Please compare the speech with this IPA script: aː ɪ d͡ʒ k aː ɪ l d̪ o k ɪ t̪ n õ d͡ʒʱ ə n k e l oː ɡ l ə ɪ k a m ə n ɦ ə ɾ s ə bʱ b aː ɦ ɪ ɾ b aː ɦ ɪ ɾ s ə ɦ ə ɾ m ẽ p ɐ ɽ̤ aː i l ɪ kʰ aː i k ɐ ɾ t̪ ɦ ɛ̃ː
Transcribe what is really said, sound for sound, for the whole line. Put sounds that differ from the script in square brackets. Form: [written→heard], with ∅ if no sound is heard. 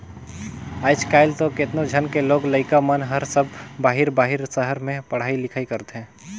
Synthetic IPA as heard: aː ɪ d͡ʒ k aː ɪ l [d̪→t̪] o k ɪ t̪ n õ d͡ʒʱ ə n k e l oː ɡ l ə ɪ k a m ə n ɦ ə ɾ s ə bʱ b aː ɦ ɪ ɾ b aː ɦ ɪ ɾ s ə ɦ ə ɾ m ẽ p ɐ ɽ̤ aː i l ɪ kʰ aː i k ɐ ɾ t̪ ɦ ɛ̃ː